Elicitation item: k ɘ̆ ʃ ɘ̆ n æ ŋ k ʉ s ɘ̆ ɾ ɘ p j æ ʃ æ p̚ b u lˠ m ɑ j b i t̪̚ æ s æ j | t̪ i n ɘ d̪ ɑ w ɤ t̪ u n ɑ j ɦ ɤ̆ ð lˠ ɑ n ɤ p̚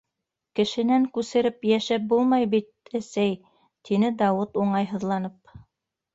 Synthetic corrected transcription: k ɘ̆ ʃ ɘ̆ n æ ŋ k ʉ s ɘ̆ ɾ ɘ p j æ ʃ æ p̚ b u lˠ m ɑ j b i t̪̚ æ s æ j | t̪ i n ɘ d̪ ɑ w ɤ t̪ u ɴ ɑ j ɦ ɤ̆ ð lˠ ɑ n ɤ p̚